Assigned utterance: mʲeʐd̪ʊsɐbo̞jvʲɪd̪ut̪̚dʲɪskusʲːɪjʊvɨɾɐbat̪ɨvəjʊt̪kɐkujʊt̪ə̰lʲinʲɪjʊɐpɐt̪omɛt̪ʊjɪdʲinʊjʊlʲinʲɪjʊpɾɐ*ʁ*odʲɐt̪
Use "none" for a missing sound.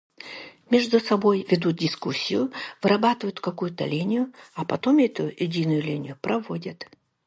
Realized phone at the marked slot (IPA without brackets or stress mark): v